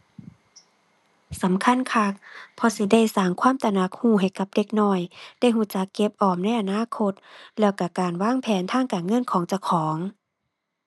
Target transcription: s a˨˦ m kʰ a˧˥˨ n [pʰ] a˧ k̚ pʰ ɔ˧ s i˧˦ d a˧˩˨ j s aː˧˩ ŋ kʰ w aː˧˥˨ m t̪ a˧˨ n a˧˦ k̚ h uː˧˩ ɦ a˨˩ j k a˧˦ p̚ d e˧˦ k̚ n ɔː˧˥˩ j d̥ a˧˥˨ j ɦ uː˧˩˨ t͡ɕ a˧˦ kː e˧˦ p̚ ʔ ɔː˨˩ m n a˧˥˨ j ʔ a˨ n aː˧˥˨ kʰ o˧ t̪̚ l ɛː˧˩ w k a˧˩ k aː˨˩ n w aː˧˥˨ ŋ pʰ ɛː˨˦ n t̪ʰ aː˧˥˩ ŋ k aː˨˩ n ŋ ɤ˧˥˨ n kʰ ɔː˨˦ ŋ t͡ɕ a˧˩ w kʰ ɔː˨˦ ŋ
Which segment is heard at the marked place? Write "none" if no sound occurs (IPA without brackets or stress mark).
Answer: kʰ